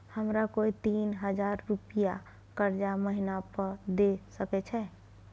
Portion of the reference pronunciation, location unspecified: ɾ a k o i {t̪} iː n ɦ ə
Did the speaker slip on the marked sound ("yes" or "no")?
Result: no